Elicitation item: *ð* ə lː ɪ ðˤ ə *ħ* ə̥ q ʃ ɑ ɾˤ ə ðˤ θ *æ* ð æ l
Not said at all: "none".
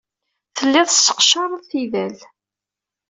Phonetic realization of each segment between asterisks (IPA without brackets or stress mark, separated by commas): θ, s, i